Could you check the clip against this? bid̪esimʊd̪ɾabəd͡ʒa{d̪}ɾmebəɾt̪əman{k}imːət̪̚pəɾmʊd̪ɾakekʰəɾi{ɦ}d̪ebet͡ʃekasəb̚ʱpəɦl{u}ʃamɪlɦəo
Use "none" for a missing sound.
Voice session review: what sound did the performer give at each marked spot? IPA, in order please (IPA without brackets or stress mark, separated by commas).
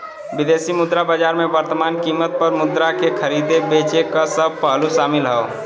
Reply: none, k, none, u